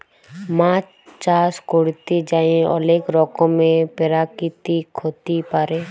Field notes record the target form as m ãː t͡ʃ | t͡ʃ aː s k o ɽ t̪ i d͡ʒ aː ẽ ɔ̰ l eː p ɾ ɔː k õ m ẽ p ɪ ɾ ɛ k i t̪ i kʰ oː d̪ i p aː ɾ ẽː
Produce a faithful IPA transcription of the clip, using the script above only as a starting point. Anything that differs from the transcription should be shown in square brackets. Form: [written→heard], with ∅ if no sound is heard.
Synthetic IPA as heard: m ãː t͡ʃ | t͡ʃ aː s k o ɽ t̪ i d͡ʒ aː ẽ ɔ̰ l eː [p→k] ɾ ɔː k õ m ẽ p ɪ ɾ [ɛ→a] k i t̪ i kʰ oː [d̪→t̪] i p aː ɾ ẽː